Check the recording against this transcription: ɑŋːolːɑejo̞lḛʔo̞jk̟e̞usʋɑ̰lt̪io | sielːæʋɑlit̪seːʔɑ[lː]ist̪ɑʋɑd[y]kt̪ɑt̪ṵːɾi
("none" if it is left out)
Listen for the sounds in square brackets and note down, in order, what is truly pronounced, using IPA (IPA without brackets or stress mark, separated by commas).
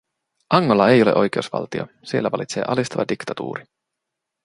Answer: l, i